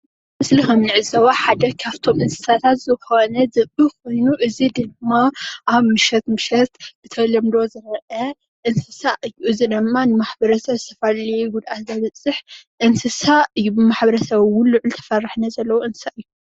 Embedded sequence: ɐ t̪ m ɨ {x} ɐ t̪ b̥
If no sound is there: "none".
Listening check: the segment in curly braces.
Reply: ʃ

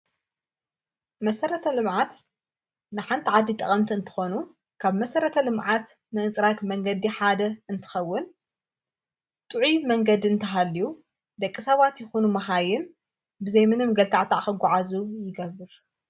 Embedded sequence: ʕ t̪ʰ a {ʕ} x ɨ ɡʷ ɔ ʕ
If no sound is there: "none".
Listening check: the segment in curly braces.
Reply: ʕ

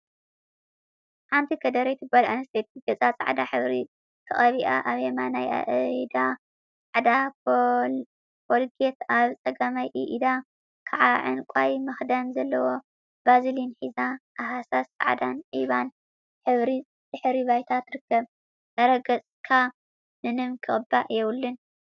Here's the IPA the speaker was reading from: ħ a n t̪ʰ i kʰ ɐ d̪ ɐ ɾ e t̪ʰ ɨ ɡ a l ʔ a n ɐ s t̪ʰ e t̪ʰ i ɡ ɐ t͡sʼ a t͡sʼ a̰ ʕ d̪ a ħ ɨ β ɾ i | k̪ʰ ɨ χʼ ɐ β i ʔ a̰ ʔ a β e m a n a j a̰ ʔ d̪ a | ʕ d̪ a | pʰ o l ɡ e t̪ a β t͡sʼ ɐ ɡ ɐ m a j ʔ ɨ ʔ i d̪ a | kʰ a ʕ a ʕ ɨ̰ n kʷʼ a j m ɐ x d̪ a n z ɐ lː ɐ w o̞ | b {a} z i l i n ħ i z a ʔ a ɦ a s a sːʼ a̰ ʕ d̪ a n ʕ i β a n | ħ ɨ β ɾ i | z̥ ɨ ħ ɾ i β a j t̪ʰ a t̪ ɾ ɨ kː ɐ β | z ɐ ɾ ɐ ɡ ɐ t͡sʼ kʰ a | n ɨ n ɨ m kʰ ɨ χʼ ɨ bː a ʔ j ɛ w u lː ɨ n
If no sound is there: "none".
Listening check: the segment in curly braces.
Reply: a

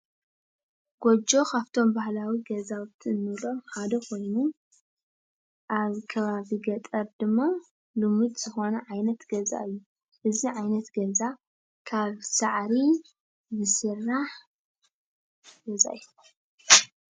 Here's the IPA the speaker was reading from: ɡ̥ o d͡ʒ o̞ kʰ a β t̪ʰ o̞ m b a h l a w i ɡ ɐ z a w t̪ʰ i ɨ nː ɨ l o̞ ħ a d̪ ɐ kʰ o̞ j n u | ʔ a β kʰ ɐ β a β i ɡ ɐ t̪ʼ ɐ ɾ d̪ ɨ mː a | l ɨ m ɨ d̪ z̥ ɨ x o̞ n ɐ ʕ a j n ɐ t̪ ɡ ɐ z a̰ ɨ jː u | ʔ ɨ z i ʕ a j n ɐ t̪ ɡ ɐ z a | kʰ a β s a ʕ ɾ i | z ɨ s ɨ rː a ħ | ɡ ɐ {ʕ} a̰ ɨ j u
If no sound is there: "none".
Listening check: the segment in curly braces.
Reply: z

